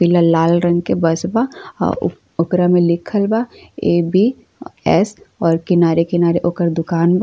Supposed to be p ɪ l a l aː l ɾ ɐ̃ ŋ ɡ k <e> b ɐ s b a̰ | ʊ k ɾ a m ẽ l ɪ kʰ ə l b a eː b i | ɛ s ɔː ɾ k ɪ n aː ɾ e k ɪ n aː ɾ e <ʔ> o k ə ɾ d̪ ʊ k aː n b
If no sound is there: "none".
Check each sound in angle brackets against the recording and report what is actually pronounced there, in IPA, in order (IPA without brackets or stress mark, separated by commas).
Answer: e, ʔ